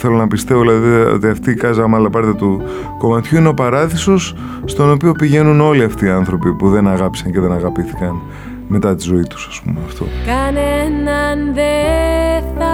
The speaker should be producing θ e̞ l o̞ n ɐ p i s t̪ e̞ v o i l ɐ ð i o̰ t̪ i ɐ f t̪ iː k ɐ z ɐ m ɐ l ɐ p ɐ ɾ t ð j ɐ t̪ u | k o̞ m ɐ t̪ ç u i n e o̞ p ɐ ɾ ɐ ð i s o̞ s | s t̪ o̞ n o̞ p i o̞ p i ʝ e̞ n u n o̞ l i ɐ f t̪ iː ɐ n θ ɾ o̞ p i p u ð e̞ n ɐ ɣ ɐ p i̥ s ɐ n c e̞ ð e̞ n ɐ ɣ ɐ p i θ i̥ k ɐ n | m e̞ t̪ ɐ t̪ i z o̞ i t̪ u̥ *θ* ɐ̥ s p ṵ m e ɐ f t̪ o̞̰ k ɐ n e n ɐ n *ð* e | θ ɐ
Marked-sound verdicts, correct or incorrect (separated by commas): incorrect, correct